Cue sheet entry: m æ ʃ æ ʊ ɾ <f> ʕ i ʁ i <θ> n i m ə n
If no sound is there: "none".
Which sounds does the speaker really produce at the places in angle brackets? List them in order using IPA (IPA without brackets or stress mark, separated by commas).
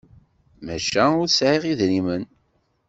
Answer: s, ð